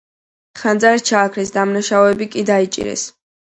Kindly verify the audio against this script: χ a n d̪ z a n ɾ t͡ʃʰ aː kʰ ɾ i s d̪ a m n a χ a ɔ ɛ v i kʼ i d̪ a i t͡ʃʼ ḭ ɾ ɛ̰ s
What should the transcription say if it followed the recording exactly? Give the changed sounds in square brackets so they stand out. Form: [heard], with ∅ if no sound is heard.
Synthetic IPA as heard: χ a n d̪ z a [∅] ɾ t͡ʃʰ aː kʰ ɾ i s d̪ a m n a [ʃ] a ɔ ɛ [b] i kʼ i d̪ a i t͡ʃʼ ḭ ɾ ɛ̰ s